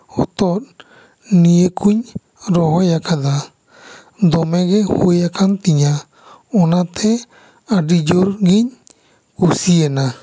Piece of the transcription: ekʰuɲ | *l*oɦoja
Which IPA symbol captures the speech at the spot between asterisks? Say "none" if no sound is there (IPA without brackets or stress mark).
ɾ